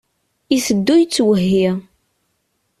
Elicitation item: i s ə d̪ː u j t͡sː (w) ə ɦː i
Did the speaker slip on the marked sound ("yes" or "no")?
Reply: no